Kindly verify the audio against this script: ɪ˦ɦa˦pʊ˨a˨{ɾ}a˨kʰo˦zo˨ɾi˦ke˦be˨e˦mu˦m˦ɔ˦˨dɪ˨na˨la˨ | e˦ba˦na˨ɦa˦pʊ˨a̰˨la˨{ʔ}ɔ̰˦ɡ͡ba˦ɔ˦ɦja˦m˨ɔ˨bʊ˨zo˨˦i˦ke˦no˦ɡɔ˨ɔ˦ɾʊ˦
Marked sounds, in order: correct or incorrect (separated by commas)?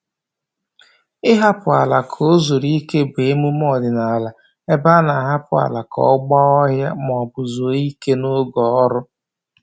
incorrect, incorrect